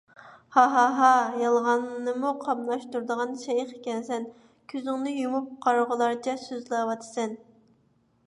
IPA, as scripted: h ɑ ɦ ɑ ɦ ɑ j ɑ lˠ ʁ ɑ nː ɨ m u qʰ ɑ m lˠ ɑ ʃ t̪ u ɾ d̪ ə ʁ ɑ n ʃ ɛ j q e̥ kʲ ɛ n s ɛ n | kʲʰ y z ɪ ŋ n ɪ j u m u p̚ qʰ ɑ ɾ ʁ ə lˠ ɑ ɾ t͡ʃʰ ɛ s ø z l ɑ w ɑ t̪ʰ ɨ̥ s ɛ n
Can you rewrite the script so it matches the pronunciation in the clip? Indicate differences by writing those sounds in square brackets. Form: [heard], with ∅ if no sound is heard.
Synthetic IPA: h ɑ ɦ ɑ ɦ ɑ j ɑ lˠ ʁ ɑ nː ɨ m u qʰ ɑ m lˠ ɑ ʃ t̪ u ɾ d̪ ə ʁ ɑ n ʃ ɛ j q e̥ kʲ ɛ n s ɛ n | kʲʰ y z ɪ ŋ n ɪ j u m u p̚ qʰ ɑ ɾ ʁ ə lˠ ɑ ɾ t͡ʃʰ ɛ s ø z l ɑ w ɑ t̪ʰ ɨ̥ s ɛ n